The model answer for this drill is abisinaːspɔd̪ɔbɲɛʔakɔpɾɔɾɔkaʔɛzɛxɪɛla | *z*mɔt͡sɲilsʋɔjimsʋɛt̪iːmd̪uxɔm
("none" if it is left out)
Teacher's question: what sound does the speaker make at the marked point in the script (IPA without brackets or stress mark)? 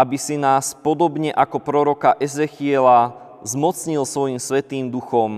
z